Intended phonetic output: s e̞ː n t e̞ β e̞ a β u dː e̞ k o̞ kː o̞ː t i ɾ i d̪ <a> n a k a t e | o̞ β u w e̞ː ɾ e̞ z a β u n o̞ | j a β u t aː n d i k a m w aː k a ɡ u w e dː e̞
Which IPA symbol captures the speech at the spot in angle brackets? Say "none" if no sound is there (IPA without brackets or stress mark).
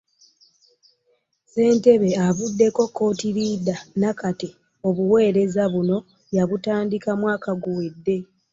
a